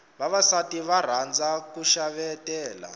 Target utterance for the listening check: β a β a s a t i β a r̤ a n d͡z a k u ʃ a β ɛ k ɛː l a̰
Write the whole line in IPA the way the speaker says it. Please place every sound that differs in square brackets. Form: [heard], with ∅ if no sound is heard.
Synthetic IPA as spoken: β a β a s a t i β a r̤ a n d͡z a k u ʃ a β ɛ [t] ɛː l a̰